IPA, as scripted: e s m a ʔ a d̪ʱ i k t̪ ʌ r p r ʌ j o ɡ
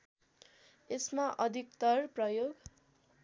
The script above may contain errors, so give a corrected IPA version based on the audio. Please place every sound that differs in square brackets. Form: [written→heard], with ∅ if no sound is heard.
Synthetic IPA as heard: e s m a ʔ [a→ʌ] d̪ʱ i k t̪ ʌ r p r ʌ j o ɡ